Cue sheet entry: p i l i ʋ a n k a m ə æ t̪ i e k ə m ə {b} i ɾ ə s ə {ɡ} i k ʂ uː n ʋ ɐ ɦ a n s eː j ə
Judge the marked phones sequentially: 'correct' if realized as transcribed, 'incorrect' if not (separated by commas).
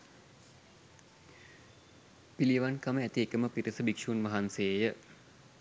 incorrect, incorrect